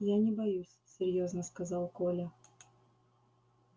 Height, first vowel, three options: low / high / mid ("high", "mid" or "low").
low